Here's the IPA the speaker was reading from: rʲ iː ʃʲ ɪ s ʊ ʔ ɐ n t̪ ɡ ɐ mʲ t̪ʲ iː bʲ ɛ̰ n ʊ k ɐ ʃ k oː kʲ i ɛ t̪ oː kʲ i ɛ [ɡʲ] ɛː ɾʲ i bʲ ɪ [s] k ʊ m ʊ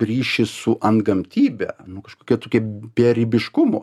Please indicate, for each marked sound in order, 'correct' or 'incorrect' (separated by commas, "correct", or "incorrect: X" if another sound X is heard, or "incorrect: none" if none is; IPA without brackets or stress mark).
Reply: incorrect: bʲ, incorrect: ʃ